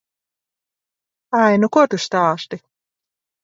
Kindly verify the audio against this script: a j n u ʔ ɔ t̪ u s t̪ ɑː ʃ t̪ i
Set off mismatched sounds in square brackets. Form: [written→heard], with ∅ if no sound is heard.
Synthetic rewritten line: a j n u [ʔ→k] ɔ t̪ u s t̪ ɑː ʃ t̪ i